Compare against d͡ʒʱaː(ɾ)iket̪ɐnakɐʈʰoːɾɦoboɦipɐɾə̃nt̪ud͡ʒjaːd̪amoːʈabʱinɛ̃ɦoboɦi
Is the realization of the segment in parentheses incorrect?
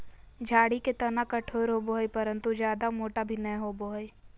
yes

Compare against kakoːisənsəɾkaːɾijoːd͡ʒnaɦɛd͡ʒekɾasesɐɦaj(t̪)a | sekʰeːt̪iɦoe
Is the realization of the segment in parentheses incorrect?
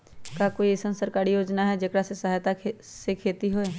no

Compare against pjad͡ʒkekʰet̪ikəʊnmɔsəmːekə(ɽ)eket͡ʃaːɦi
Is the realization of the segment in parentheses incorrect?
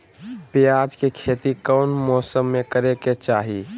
yes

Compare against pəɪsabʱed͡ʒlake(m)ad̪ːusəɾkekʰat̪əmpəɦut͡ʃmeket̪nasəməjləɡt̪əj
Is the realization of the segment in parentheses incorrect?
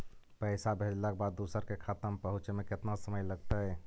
yes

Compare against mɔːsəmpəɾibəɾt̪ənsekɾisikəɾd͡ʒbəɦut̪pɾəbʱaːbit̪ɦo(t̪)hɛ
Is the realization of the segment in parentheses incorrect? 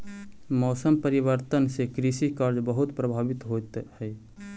no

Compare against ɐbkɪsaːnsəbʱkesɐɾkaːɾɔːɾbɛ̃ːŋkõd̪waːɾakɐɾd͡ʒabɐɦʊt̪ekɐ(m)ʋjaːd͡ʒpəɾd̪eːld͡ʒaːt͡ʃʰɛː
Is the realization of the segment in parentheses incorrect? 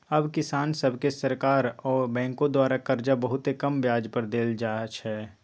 no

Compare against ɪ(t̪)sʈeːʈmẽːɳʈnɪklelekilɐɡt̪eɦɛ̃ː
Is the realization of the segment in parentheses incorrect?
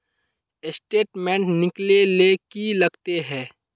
yes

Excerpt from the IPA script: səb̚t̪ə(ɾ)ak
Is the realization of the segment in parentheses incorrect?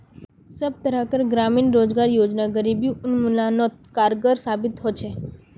no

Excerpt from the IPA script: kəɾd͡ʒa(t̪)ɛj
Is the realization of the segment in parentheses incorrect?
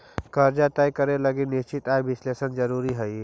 no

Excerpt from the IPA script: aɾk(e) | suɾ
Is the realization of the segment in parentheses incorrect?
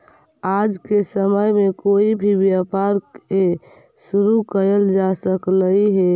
no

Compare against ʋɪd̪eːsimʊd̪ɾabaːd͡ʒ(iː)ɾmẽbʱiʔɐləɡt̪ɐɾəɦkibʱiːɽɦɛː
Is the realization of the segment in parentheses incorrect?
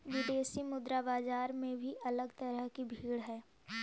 yes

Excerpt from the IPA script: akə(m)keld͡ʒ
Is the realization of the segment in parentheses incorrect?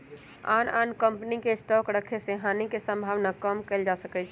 no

